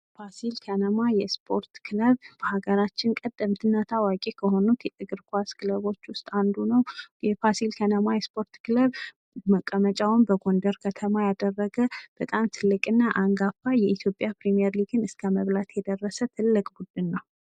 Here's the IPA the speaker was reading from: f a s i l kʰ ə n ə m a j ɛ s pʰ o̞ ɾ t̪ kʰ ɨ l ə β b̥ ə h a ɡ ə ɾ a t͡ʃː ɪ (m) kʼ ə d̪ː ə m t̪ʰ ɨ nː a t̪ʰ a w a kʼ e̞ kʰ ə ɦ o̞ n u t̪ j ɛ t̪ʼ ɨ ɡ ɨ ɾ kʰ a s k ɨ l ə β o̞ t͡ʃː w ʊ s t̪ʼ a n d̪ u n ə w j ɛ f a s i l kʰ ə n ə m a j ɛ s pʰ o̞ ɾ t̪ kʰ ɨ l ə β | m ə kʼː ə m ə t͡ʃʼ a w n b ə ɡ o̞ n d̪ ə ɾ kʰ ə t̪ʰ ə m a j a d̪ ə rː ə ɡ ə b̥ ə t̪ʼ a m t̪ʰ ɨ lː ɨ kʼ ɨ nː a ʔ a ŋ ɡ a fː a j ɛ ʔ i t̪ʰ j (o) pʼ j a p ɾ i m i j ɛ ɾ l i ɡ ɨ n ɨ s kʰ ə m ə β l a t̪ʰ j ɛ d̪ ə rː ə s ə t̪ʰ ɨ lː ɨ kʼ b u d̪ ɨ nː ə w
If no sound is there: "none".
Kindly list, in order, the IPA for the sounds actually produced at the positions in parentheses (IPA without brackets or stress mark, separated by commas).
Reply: n, o